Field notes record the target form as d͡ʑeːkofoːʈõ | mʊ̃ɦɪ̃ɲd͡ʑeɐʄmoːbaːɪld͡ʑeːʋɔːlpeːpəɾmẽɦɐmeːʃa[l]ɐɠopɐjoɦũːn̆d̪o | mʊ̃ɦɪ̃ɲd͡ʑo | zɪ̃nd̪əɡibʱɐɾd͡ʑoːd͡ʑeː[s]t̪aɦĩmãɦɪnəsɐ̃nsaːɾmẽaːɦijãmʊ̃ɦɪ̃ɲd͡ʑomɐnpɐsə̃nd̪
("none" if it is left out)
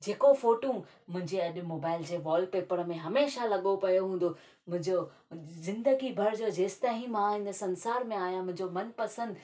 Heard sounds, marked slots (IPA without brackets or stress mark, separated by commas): l, s